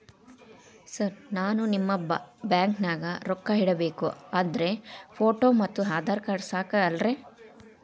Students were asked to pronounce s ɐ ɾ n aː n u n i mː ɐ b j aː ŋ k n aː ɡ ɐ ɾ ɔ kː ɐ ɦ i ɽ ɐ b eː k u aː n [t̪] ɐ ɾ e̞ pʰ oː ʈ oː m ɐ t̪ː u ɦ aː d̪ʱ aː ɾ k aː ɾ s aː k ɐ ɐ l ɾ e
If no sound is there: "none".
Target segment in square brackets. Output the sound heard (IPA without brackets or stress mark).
d̪